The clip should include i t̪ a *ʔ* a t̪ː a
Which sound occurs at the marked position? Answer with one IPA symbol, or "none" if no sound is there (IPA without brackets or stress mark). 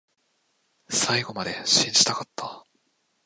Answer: k